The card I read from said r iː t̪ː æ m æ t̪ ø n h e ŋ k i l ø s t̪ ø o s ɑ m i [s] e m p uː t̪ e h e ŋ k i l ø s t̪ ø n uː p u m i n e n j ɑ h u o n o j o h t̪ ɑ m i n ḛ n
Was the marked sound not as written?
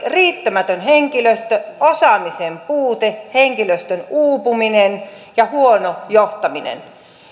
no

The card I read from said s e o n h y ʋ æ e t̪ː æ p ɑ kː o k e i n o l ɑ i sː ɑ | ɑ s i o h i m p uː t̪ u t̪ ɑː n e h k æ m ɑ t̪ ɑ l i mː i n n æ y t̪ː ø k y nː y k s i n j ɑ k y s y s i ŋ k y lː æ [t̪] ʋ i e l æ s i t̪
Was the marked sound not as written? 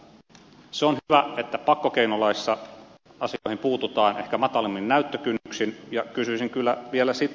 yes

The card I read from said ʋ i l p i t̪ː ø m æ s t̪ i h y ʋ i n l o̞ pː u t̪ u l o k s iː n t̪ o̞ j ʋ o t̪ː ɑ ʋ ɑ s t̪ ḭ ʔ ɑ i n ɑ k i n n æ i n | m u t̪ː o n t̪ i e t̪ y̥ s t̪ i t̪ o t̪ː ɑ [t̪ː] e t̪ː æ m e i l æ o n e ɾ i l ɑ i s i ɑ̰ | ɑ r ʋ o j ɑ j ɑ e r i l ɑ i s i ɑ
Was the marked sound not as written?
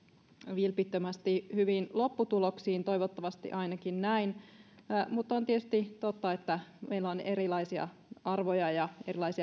yes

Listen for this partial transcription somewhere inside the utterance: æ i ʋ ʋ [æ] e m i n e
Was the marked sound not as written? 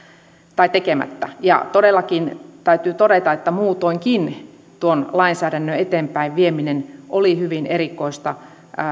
yes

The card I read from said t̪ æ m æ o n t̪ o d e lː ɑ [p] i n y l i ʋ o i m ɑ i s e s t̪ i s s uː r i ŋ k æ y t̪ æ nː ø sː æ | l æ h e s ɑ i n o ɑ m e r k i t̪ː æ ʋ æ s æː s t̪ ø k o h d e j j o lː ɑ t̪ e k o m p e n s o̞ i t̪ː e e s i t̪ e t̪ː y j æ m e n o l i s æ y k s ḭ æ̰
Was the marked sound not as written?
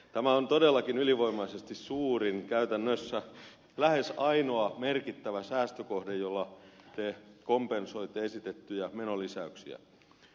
yes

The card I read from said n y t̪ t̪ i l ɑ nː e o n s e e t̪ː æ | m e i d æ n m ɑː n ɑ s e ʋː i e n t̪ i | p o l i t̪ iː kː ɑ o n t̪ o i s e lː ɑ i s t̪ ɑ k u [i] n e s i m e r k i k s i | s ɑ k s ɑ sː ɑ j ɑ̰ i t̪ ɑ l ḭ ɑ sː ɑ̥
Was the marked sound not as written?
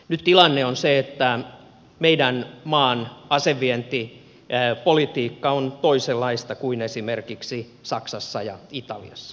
no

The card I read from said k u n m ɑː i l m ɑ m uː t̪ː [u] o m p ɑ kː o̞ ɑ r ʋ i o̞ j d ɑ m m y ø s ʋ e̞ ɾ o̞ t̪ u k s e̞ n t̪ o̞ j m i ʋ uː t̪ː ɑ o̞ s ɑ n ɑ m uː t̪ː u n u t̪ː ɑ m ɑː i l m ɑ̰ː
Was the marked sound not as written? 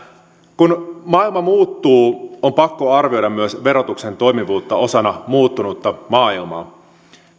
yes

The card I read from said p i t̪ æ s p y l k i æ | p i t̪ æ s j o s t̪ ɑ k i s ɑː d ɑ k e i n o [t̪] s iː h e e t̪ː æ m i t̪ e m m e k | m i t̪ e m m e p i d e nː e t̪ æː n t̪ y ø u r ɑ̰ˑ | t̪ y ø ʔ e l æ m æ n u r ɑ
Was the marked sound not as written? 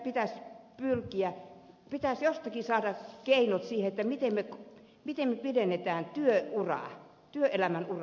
no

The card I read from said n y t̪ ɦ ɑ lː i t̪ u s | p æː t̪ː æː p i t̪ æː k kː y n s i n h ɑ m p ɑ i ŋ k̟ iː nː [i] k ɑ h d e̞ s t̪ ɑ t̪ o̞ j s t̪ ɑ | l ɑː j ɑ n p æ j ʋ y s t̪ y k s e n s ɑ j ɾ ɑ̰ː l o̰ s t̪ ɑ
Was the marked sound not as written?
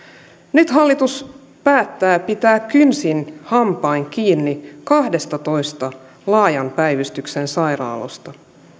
no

